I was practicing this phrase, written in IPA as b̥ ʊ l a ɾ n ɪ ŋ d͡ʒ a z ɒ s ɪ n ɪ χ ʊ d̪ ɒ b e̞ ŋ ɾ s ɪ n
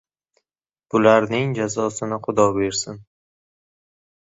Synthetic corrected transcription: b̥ ʊ l a ɾ n ɪ ŋ d͡ʒ a z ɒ s ɪ n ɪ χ ʊ d̪ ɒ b e̞ ɾ s ɪ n